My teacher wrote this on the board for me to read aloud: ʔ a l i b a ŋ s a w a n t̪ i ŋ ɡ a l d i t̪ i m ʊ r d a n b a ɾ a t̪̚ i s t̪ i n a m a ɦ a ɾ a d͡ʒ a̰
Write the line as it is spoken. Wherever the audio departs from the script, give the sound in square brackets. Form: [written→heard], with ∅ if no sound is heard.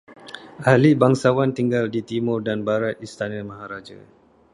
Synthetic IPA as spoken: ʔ a l i b a ŋ s a w a n t̪ i ŋ ɡ a l d i t̪ i m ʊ r d a n b a ɾ a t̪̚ i s t̪ [i→a] n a m a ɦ a ɾ a d͡ʒ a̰